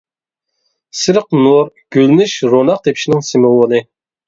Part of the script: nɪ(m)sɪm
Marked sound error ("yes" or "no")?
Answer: yes